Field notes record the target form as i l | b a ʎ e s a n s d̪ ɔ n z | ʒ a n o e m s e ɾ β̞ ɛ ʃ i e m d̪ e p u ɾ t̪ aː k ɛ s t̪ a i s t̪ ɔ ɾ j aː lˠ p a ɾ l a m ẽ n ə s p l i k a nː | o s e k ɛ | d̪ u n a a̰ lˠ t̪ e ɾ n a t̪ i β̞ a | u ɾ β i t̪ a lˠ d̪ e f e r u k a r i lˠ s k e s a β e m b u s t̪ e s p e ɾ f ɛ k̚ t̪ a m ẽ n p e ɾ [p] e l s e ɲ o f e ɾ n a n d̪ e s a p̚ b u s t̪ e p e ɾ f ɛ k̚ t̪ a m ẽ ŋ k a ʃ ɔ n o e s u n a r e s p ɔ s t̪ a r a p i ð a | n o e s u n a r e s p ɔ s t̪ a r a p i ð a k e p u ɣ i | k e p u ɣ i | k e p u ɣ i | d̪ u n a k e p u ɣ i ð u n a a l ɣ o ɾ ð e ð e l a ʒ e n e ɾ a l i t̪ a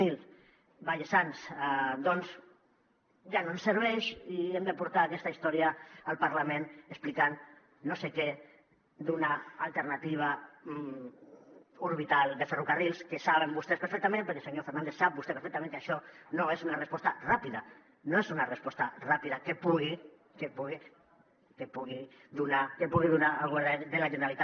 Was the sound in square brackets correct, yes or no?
no